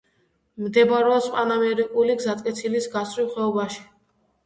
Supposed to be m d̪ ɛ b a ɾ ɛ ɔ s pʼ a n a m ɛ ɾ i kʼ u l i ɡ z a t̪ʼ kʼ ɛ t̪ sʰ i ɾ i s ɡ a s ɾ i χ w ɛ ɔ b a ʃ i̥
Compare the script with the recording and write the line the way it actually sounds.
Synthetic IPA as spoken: m d̪ ɛ b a ɾ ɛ ɔ s pʼ a n a m ɛ ɾ i kʼ u l i ɡ z a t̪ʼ kʼ ɛ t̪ sʰ i l i s ɡ a s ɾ i χ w ɛ ɔ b a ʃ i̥